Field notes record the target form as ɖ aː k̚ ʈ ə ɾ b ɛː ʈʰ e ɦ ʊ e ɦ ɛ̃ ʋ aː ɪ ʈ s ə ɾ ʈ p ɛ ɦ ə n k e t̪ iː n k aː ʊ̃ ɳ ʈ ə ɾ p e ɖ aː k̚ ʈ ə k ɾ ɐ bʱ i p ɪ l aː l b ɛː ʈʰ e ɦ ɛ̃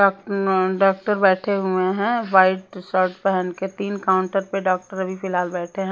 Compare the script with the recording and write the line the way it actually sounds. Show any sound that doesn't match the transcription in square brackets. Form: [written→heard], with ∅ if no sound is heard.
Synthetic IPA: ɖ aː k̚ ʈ ə ɾ b ɛː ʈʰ e ɦ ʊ e ɦ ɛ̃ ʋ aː ɪ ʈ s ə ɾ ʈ p ɛ ɦ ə n k e t̪ iː n k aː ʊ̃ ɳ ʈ ə ɾ p e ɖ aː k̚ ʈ ə [k→∅] ɾ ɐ bʱ i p ɪ l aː l b ɛː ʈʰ e ɦ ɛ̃